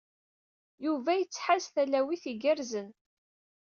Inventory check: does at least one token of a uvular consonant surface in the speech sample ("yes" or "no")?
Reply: no